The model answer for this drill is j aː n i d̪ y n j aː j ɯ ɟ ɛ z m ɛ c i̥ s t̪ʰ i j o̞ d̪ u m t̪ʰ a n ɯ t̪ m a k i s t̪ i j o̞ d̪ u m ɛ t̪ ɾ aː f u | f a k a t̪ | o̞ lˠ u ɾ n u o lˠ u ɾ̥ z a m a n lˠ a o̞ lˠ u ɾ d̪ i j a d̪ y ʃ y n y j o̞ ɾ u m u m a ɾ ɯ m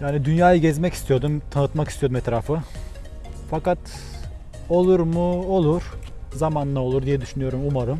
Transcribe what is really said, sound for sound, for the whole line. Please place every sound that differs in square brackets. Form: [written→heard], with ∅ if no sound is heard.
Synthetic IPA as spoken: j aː n i d̪ y n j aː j ɯ ɟ ɛ z m ɛ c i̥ s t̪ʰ i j o̞ d̪ u m t̪ʰ a n ɯ t̪ m a k i s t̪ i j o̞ d̪ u m ɛ t̪ ɾ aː f [u→ɯ] | f a k a t̪ | o̞ lˠ u ɾ [n→m] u o lˠ u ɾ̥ z a m a n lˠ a o̞ lˠ u ɾ d̪ i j [a→ɛ] d̪ y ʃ y n y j o̞ ɾ u m u m a ɾ ɯ m